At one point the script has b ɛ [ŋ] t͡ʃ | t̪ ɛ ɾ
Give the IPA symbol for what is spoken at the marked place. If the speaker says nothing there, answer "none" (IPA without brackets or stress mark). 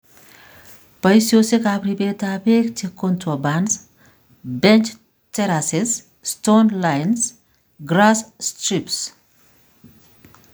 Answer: n